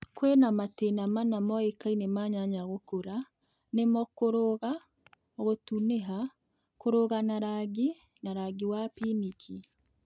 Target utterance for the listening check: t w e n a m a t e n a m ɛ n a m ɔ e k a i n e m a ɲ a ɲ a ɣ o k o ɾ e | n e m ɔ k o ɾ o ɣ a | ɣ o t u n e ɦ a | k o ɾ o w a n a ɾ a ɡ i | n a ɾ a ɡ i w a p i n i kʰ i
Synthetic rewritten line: k w e n a m a t e n a m a n a m ɔ e k a i n e m a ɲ a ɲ a ɣ o k o ɾ a | n e m ɔ k o ɾ o ɣ a | ɣ o t u n e ɦ a | k o ɾ o ɣ a n a ɾ a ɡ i | n a ɾ a ɡ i w a p i n i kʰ i